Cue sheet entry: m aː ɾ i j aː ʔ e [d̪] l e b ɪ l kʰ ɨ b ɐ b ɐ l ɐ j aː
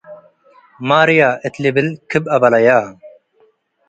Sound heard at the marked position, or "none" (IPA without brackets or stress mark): t̪